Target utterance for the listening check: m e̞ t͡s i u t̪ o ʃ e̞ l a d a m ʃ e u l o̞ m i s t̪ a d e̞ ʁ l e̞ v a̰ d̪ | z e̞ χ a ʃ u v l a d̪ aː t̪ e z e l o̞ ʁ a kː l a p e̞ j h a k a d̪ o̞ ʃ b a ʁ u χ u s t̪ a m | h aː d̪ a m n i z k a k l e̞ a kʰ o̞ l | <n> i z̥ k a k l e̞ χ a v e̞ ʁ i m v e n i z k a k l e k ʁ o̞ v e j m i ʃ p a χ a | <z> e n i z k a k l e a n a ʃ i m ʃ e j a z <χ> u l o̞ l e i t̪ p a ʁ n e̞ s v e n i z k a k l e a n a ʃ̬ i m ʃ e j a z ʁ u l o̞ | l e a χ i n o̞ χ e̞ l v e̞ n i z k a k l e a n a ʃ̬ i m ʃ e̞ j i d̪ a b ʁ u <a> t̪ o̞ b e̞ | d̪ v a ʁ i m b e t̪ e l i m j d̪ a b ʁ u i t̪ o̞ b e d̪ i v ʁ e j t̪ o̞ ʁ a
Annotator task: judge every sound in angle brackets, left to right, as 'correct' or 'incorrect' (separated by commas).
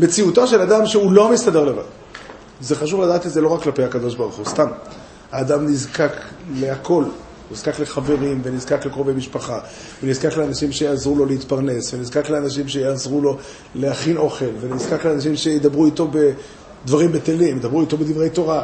correct, incorrect, incorrect, incorrect